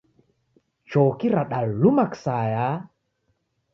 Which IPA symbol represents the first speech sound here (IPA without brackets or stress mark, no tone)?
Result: t͡ʃ